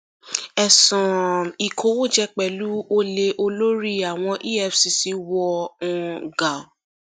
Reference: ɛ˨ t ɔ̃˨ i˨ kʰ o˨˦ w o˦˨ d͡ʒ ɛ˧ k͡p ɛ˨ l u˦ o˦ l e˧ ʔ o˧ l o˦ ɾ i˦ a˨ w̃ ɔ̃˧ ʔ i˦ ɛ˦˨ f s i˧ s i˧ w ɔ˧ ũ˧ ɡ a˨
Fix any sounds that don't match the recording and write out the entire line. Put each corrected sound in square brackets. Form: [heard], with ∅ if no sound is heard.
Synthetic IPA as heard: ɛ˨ [s] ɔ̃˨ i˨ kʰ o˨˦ w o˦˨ d͡ʒ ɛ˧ k͡p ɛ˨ l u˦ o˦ l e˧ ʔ o˧ l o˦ ɾ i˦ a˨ w̃ ɔ̃˧ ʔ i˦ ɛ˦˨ f s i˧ s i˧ w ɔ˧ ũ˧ ɡ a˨